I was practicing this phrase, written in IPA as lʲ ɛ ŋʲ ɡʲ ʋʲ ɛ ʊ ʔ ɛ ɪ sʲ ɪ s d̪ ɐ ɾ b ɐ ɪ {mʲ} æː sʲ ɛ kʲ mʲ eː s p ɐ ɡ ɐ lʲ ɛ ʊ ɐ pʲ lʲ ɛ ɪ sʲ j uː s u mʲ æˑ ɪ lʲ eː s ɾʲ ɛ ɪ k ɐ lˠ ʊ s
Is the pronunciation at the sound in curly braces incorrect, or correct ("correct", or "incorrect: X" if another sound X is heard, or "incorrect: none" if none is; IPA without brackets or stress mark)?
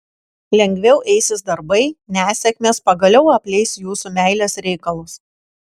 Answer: incorrect: nʲ